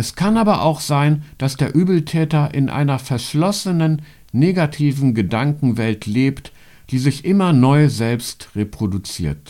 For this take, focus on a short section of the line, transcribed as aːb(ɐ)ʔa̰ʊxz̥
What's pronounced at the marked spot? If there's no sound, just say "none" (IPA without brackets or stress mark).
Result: ɐ